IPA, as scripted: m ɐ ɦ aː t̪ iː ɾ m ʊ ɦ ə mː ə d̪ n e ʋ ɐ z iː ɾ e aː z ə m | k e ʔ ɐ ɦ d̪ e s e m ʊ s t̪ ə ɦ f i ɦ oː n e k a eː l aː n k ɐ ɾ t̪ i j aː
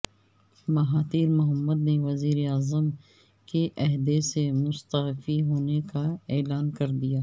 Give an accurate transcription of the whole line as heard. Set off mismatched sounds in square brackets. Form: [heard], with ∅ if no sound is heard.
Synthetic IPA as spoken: m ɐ ɦ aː t̪ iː ɾ m ʊ ɦ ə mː ə d̪ n e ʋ ɐ z iː ɾ e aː z ə m | k e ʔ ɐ ɦ d̪ e s e m ʊ s t̪ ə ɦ f i ɦ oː n e k a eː l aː n k ɐ ɾ [d̪] i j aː